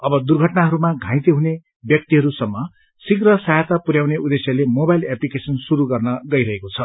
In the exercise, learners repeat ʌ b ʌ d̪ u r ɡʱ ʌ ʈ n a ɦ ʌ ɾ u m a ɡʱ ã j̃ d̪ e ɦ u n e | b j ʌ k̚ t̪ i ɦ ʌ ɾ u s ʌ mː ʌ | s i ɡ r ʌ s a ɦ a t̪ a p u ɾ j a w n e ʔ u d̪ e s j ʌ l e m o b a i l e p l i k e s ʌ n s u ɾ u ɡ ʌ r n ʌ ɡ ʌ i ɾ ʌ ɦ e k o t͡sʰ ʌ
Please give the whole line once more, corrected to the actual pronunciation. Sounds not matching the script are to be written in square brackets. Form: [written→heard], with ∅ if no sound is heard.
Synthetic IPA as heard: ʌ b ʌ d̪ u r ɡʱ ʌ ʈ n a ɦ ʌ ɾ u m a ɡʱ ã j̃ [d̪→t̪] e ɦ u n e | b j ʌ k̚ t̪ i ɦ ʌ ɾ u s ʌ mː ʌ | s i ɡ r ʌ s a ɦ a t̪ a p u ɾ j a w n e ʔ u d̪ e s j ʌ l e m o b a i l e p l i k e s ʌ n s u ɾ u ɡ ʌ r n ʌ ɡ ʌ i ɾ ʌ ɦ e k o t͡sʰ ʌ